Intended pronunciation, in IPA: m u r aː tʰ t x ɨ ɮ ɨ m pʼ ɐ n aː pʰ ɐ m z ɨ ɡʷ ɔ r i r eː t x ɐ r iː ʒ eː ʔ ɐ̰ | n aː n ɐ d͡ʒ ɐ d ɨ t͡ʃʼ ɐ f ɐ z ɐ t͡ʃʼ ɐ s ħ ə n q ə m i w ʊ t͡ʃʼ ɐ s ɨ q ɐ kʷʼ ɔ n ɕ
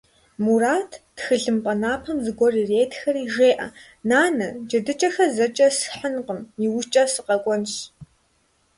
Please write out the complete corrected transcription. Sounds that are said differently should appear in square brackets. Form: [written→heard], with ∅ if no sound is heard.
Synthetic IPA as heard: m u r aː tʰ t x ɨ ɮ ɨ m pʼ ɐ n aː pʰ ɐ m z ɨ ɡʷ ɔ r i r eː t x ɐ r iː ʒ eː ʔ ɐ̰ | n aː n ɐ d͡ʒ ɐ d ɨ t͡ʃʼ ɐ [f→x] ɐ z ɐ t͡ʃʼ ɐ s ħ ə n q ə m i w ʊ t͡ʃʼ ɐ s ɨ q ɐ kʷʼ ɔ n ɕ

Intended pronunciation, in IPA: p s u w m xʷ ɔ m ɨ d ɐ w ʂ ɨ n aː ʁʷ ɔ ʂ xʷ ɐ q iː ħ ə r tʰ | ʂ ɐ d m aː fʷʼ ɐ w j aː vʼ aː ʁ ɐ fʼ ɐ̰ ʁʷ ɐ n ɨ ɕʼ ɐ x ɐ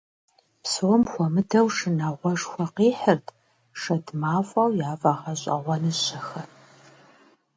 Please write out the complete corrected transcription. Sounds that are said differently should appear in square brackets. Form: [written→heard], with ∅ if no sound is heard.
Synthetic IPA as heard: p s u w m xʷ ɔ m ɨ d ɐ w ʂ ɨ n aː ʁʷ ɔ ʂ xʷ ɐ q iː ħ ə r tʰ | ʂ ɐ d m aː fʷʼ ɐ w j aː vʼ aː ʁ ɐ [fʼ→ɕʼ] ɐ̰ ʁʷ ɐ n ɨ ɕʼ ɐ x ɐ

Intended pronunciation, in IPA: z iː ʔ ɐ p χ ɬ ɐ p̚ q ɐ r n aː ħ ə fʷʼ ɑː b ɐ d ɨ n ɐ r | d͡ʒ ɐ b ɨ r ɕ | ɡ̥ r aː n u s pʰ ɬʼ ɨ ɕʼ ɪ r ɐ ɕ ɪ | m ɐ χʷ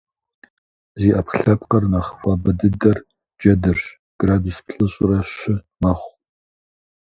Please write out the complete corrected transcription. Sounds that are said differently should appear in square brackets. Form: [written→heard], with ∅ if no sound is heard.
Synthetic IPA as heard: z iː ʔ ɐ p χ ɬ ɐ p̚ q ɐ r n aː [ħ→χ] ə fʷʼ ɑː b ɐ d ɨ [n→d] ɐ r | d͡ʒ ɐ [b→d] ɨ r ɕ | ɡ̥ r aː [n→d] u s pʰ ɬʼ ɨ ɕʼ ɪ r ɐ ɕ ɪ | m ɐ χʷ

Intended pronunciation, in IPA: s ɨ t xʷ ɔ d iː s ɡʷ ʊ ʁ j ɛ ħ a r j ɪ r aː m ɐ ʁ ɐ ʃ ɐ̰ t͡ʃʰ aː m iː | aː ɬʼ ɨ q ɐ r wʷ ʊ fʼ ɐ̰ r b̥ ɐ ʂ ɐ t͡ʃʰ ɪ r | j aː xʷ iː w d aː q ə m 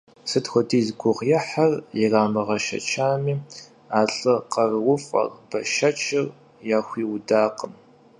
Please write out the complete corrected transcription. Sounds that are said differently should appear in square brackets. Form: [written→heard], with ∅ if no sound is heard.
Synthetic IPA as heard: s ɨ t xʷ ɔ d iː [s→z] ɡʷ ʊ ʁ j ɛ ħ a r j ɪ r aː m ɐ ʁ ɐ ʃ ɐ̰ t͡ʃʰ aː m iː | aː ɬʼ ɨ q ɐ r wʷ ʊ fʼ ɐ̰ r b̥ ɐ [ʂ→ʃ] ɐ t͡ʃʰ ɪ r | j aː xʷ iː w d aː q ə m

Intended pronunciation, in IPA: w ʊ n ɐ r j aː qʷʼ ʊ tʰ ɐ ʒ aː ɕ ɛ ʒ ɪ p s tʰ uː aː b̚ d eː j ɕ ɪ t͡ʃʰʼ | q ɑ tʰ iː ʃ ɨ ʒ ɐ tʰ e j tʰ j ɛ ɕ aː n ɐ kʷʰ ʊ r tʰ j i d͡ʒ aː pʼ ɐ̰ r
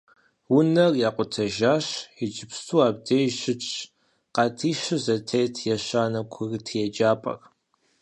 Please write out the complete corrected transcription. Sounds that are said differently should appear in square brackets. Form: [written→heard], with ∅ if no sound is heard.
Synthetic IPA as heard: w ʊ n ɐ r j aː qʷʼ ʊ tʰ ɐ ʒ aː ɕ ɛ [ʒ→d͡ʒ] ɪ p s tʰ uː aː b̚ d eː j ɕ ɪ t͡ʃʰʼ | q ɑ tʰ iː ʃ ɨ [ʒ→z] ɐ tʰ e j tʰ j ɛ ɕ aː n ɐ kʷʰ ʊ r tʰ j [i→ɛ] d͡ʒ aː pʼ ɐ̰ r

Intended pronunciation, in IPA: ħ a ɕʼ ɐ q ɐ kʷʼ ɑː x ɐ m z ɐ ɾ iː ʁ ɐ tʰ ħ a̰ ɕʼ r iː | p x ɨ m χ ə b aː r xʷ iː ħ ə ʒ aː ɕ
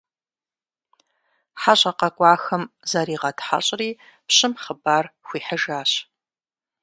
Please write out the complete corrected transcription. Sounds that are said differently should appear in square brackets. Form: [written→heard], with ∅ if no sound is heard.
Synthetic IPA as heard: ħ a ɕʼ ɐ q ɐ kʷʼ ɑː x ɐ m z ɐ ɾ iː ʁ ɐ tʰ ħ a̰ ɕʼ r iː | p [x→ɕ] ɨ m χ ə b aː r xʷ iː ħ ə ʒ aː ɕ

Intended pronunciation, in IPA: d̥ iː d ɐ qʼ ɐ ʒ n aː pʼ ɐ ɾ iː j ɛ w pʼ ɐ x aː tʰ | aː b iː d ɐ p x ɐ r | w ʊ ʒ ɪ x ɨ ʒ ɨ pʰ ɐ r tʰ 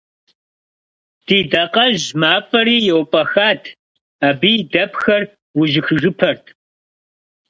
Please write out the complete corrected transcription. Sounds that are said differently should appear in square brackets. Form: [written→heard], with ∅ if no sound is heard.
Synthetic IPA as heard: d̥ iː d ɐ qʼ ɐ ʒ [n→m] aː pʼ ɐ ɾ iː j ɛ w pʼ ɐ x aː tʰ | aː b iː d ɐ p x ɐ r | w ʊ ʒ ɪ x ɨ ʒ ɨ pʰ ɐ r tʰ

